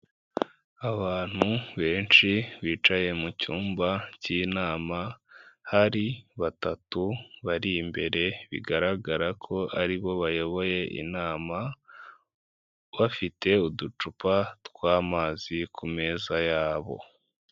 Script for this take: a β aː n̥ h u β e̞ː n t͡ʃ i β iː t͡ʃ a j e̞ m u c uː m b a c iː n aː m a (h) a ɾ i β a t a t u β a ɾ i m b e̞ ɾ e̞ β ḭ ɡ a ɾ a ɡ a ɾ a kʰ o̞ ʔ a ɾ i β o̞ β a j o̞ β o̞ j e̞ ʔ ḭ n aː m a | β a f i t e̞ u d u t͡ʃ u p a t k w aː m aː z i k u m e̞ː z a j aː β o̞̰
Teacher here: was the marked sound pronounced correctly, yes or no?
yes